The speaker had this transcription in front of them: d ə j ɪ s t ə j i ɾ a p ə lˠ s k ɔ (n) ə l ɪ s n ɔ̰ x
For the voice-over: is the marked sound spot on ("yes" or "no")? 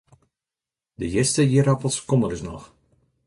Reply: no